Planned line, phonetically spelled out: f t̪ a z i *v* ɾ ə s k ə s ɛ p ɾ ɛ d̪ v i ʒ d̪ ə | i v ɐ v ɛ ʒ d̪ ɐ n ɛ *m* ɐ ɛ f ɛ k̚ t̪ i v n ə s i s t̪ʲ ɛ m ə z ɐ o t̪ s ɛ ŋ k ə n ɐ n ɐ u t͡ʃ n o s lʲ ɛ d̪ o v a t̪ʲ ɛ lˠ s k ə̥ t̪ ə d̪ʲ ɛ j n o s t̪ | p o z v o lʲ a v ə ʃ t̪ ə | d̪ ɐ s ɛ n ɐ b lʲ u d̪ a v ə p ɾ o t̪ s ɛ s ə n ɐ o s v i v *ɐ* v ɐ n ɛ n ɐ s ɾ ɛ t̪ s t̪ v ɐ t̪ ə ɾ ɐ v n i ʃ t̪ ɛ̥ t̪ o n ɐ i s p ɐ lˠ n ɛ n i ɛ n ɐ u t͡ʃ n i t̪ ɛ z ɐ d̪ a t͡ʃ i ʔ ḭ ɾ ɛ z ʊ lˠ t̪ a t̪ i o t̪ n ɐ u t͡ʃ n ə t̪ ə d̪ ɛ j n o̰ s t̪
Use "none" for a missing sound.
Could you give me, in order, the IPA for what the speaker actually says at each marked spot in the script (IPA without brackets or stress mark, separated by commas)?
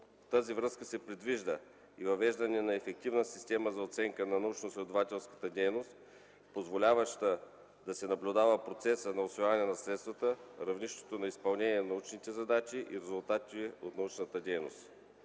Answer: v, n, a